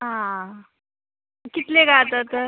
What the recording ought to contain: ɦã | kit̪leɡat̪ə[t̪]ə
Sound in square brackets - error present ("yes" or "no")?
no